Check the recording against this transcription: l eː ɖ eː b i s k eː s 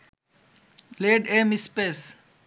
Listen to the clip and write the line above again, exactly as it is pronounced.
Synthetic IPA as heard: l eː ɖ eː m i s p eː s